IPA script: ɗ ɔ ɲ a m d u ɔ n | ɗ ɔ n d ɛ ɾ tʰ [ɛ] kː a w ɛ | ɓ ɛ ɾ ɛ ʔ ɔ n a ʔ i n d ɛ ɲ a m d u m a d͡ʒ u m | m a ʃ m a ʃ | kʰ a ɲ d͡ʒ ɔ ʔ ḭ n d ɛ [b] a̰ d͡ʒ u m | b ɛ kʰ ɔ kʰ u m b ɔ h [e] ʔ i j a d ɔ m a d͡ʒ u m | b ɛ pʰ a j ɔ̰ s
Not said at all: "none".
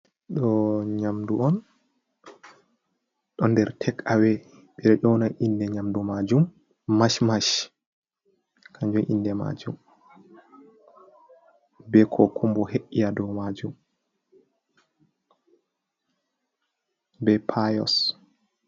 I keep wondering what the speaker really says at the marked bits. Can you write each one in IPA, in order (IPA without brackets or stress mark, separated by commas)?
ɛ, m, e